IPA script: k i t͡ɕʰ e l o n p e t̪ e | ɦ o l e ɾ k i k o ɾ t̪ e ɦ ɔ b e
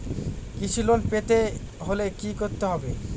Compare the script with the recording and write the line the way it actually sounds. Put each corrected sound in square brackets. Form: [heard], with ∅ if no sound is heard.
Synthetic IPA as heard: k i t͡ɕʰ [i] l o n p e t̪ e | ɦ o l e [∅] k i k o ɾ t̪ e ɦ ɔ b e

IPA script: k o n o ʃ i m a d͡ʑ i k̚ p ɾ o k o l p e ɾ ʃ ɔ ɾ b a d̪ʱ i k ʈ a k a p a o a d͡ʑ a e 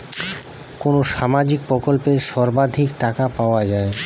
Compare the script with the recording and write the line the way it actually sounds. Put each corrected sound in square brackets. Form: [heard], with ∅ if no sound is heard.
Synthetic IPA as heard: k o n o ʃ [a] m a d͡ʑ i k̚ p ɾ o k o l p e ɾ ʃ ɔ ɾ b a d̪ʱ i k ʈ a k a p a o a d͡ʑ a e

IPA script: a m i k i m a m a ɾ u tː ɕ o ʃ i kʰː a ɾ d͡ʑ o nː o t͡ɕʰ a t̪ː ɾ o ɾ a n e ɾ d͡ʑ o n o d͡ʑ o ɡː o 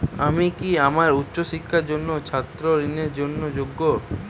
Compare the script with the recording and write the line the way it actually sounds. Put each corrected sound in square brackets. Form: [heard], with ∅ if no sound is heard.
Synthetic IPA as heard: a m i k i [∅] a m a ɾ u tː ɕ o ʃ i kʰː a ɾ d͡ʑ o nː o t͡ɕʰ a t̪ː ɾ o ɾ [i] n e ɾ d͡ʑ o [nː] o d͡ʑ o ɡː o

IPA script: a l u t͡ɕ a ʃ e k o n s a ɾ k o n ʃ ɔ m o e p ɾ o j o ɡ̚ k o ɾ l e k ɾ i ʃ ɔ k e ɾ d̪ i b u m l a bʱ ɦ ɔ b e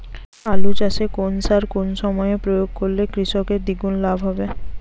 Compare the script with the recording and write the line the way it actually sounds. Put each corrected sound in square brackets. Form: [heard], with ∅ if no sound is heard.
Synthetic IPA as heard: a l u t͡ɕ a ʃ e k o n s a ɾ k o n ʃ ɔ m [ɔ] e p ɾ o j o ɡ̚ k o ɾ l e k ɾ i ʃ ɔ k e ɾ d̪ i [ɡ] u [n] l a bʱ ɦ ɔ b e

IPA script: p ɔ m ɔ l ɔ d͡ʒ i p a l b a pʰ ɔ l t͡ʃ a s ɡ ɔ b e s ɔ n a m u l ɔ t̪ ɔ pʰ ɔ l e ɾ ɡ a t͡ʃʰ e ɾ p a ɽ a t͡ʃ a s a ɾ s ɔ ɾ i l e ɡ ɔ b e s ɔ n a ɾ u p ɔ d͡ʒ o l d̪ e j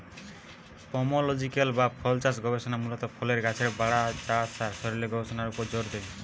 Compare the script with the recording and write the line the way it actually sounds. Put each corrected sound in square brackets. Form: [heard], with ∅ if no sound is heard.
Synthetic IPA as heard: p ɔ m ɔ l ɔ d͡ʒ i [k] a l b a pʰ ɔ l t͡ʃ a s ɡ ɔ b e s ɔ n a m u l ɔ t̪ ɔ pʰ ɔ l e ɾ ɡ a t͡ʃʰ e ɾ [b] a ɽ a t͡ʃ a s a ɾ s ɔ ɾ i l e ɡ ɔ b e s ɔ n a ɾ u p ɔ d͡ʒ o [ɾ] d̪ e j

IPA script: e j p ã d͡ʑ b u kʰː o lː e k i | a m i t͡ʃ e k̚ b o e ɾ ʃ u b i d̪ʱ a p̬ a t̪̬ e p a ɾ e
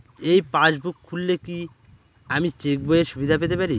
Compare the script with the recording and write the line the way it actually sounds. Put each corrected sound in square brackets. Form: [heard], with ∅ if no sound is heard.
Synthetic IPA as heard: e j p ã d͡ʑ b u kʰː [u] lː e k i | a m i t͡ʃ e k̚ b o e ɾ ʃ u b i d̪ʱ a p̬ [e] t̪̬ e p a ɾ [i]

